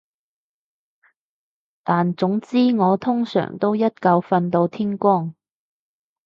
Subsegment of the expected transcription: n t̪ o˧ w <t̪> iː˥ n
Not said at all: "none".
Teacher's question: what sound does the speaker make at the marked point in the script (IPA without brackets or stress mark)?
t̪ʰ